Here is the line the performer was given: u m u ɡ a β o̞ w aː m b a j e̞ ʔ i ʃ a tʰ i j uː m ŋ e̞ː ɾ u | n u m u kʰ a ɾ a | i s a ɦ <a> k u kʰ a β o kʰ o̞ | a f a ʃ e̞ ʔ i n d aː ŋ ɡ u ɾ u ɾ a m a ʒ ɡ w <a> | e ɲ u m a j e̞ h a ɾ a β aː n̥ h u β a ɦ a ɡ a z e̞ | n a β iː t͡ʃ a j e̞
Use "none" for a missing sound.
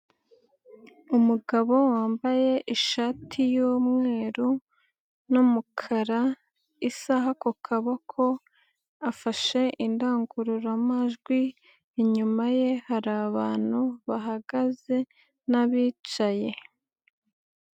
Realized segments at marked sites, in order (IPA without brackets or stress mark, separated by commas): a, i